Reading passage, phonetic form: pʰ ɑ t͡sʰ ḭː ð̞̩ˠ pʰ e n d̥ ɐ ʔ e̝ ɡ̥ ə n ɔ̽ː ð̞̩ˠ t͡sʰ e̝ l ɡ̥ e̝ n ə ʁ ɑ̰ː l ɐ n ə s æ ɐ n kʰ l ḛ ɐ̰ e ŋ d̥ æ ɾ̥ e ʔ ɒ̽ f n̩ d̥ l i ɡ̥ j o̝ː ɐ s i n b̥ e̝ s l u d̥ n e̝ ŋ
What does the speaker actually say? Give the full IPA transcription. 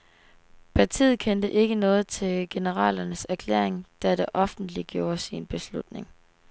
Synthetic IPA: pʰ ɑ t͡sʰ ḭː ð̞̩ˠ kʰ e n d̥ ə ʔ e̝ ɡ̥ ə n ɔ̽ː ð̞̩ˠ t͡sʰ e̝ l ɡ̥ e̝ n ə ʁ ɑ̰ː l ɐ n ə s æ ɐ kʰ l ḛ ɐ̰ e ŋ d̥ æ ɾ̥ e ʔ ɒ̽ f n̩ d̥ l i ɡ̥ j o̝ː ɐ s i n b̥ e̝ s l u d̥ n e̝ ŋ